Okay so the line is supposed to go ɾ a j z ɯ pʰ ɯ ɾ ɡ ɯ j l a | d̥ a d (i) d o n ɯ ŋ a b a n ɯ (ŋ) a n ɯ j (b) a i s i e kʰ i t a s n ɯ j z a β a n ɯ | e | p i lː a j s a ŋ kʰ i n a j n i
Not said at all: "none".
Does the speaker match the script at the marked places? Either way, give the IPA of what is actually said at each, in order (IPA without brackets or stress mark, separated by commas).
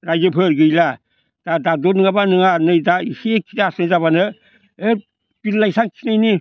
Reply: a, ŋ, d